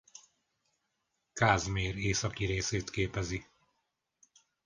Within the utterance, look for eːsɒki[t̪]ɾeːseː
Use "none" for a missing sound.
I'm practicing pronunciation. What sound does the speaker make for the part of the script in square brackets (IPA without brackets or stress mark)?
none